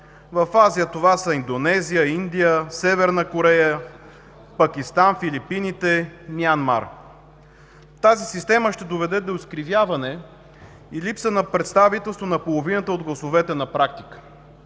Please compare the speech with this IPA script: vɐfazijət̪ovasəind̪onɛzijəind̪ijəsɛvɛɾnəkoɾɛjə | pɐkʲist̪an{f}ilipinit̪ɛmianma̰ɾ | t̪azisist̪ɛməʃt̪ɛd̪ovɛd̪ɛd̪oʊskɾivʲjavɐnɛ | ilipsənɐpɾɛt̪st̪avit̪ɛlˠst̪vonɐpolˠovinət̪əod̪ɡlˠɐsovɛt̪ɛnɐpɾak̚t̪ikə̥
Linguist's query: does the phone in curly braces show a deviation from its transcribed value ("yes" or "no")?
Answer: no